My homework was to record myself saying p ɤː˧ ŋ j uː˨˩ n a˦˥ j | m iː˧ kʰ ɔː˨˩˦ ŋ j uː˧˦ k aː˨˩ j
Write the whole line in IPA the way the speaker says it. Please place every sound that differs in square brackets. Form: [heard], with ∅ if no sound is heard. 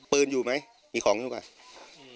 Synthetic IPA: p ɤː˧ [n] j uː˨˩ [m] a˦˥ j | m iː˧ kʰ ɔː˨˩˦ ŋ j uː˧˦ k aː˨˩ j